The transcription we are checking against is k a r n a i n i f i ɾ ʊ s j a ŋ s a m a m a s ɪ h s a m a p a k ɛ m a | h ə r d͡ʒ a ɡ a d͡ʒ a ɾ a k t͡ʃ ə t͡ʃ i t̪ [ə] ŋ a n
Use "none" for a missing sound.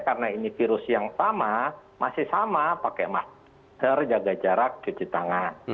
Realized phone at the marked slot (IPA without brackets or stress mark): a